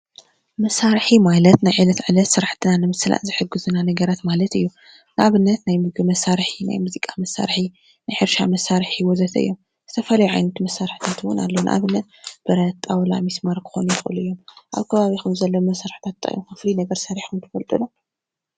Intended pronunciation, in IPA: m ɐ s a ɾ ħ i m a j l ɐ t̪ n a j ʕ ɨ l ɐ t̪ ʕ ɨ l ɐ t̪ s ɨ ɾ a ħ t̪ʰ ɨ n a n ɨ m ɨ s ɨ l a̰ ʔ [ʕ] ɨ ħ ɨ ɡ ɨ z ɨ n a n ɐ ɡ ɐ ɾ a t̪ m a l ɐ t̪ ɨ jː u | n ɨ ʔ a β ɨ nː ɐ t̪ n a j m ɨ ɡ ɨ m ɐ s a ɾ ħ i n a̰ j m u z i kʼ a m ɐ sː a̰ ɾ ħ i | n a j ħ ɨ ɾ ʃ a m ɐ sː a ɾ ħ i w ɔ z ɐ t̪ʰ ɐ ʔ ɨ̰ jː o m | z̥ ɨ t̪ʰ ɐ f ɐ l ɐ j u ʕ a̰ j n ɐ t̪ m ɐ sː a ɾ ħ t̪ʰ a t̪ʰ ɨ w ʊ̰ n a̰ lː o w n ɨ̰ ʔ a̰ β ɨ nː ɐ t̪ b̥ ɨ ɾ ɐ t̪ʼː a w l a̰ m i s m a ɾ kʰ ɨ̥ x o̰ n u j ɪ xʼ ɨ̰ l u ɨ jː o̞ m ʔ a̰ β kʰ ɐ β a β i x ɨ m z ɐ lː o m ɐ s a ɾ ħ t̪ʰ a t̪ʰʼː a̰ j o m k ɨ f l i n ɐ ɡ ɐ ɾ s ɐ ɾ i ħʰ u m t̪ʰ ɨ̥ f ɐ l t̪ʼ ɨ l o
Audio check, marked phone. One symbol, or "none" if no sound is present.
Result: z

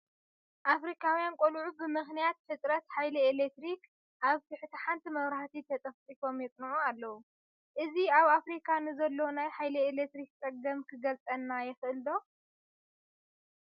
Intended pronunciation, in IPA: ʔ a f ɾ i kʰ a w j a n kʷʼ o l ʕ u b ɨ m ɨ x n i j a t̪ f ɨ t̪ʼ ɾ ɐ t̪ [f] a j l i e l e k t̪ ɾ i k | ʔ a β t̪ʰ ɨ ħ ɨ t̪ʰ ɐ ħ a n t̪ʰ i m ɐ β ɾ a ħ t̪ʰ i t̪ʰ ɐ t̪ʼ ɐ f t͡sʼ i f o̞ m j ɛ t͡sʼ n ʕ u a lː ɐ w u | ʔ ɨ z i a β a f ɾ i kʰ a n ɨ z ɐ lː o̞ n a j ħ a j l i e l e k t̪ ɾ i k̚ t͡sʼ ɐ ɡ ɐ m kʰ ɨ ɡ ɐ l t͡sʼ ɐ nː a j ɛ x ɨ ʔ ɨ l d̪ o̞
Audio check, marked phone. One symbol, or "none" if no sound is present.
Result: ħ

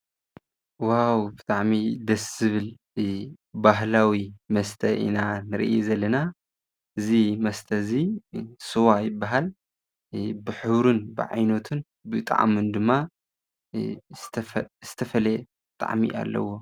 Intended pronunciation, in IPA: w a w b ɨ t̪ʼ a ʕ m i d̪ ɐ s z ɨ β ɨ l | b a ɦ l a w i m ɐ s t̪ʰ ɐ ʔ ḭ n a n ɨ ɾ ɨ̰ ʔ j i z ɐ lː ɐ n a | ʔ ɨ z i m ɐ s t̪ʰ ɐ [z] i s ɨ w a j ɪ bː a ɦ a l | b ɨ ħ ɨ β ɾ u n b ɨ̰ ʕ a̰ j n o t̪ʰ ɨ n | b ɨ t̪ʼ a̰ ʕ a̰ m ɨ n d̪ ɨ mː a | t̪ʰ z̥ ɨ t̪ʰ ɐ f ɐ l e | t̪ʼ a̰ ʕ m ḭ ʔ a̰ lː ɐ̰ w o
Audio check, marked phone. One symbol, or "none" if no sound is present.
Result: z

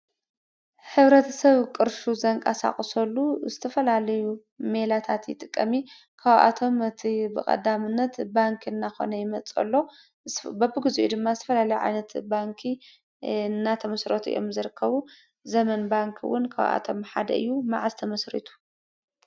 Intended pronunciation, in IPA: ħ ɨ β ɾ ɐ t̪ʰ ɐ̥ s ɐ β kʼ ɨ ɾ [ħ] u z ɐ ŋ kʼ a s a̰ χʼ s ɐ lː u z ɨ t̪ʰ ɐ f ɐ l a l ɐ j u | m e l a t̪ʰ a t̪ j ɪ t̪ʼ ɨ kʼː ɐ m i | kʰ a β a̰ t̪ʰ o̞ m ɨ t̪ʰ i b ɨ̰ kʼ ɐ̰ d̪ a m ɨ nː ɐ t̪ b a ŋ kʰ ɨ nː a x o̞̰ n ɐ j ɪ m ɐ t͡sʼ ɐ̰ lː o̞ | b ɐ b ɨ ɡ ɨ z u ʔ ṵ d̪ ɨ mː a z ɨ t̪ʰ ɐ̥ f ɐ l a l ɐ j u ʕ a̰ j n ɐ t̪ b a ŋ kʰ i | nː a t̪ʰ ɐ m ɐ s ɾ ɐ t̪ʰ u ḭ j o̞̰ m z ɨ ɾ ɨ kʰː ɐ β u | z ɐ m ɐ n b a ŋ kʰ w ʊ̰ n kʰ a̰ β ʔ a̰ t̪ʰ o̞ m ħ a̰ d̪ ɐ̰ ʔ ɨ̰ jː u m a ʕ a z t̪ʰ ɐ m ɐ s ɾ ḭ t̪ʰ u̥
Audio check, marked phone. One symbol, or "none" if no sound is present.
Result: ʃ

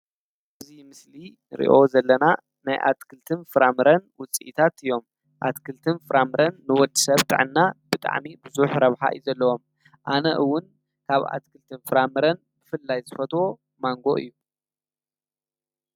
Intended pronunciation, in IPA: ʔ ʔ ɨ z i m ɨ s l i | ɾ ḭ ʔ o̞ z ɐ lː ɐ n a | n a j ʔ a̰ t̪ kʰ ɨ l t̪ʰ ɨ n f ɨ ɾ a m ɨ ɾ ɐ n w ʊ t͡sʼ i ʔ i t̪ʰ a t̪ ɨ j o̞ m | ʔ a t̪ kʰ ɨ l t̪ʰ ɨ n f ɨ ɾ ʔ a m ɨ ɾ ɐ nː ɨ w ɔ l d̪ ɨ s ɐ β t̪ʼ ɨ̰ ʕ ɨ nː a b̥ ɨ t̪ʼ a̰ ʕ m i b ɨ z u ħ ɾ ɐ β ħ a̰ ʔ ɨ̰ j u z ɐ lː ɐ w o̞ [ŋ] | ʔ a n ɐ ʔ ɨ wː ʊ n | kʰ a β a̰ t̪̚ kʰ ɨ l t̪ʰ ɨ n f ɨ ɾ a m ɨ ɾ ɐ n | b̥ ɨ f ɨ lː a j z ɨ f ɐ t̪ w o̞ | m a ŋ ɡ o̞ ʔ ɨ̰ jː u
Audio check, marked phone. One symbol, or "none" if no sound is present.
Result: m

